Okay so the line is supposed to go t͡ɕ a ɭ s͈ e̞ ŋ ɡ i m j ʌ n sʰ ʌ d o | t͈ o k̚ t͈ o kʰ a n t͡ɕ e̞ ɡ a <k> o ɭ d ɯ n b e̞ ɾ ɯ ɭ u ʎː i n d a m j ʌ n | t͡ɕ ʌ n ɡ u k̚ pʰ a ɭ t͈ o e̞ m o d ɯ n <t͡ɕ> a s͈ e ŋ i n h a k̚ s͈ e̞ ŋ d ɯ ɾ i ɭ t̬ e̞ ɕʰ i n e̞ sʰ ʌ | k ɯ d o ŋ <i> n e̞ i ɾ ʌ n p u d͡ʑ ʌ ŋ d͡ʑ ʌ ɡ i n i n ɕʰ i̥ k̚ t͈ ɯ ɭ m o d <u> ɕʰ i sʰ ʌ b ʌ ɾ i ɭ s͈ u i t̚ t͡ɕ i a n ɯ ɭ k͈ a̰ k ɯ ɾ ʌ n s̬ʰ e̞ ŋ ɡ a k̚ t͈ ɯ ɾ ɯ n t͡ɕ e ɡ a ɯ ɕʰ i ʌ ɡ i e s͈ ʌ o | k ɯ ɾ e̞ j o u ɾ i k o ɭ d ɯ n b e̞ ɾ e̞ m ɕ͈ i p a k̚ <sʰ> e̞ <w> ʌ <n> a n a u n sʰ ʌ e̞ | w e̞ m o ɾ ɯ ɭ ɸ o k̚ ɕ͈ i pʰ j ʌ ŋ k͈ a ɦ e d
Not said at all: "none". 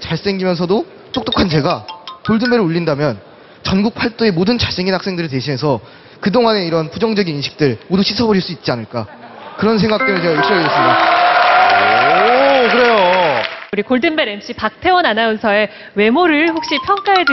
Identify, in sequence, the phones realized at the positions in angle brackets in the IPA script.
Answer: k, t͡ɕ, a, u, tʰ, w, n

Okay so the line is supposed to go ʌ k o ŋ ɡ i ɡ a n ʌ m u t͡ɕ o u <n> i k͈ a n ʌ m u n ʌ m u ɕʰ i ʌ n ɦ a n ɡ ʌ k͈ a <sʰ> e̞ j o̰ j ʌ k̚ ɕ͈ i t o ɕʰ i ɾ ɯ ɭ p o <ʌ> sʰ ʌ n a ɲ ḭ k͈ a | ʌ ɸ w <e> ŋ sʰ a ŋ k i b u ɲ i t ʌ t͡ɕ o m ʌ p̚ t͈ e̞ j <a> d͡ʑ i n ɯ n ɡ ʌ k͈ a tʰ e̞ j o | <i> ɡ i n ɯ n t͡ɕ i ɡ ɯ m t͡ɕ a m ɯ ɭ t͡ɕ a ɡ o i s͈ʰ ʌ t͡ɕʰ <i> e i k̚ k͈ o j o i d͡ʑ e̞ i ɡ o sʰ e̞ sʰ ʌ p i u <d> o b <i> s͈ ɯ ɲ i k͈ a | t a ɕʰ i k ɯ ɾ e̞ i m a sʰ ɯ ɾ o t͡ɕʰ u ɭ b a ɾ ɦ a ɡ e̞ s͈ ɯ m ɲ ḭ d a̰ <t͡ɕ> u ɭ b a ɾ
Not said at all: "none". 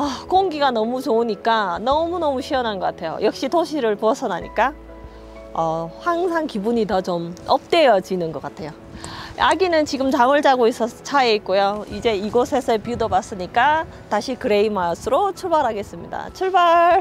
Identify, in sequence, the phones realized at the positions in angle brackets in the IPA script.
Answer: ɲ, tʰ, ʌ, a, ʌ, a, a, d, a, t͡ɕʰ

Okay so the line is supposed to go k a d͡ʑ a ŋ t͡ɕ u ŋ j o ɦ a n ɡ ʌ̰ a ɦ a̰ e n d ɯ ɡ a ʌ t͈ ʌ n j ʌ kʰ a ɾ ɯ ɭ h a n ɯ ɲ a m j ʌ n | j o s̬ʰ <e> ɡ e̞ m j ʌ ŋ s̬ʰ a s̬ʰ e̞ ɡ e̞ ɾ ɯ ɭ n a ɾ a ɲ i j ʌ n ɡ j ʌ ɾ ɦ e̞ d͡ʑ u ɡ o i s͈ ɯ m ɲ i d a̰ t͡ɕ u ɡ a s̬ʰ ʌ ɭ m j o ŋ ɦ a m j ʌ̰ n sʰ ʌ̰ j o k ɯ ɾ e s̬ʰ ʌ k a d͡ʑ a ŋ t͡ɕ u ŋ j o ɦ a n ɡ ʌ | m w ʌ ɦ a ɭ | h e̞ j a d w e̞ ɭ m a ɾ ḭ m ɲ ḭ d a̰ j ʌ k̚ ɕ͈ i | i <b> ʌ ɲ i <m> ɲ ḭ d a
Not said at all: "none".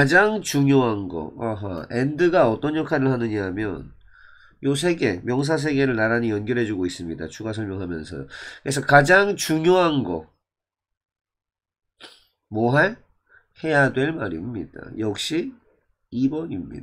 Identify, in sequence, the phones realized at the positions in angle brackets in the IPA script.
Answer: e, b, m

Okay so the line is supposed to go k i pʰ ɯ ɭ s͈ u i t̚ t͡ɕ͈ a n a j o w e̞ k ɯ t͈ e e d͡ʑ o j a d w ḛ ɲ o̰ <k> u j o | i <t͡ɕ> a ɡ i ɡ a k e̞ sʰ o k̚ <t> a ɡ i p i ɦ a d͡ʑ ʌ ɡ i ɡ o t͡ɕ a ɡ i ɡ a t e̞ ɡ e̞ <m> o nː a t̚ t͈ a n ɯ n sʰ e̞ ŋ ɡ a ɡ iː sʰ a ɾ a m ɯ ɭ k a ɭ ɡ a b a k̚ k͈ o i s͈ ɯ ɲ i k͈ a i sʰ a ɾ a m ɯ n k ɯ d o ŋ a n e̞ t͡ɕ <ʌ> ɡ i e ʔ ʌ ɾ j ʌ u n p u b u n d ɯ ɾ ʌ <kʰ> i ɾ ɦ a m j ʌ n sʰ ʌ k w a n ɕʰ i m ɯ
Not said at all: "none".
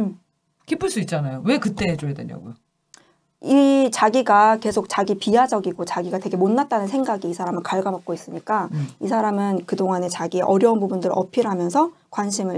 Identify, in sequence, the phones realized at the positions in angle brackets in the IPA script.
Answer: ɡ, t͡ɕ, t͡ɕ, m, a, pʰ

